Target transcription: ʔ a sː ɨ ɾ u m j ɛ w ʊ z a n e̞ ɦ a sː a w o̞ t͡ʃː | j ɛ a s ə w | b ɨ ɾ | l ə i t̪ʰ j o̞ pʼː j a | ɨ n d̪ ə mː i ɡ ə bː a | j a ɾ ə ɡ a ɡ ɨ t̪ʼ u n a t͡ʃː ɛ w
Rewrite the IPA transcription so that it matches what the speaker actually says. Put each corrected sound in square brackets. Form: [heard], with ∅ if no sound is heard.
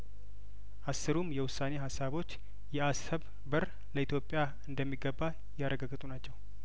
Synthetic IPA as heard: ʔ a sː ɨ ɾ u m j ɛ w ʊ [s] a n e̞ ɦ a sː a [β] o̞ t͡ʃː | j ɛ a s ə [β] | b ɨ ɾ | l ə i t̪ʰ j o̞ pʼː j a | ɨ n d̪ ə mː i ɡ ə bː a | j a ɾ ə ɡ a ɡ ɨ t̪ʼ u n a t͡ʃː ɛ w